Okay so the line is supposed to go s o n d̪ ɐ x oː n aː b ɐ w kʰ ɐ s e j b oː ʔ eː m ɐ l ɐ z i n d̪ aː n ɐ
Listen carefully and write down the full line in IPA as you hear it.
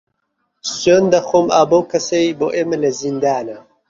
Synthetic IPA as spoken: s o n d̪ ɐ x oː m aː b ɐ w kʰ ɐ s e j b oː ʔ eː m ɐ l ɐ z i n d̪ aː n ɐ